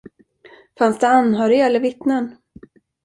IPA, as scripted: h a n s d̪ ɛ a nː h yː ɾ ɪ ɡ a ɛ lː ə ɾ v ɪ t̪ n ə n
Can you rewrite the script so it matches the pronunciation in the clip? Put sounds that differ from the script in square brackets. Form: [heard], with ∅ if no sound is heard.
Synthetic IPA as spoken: [f] a n s d̪ ɛ a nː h [œː] ɾ ɪ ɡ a ɛ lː ə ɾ v ɪ t̪ n ə n